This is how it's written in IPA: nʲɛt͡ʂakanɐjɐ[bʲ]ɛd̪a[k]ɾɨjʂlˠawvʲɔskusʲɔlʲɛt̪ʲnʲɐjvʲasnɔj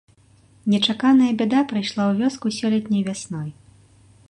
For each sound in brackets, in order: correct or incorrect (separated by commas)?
correct, incorrect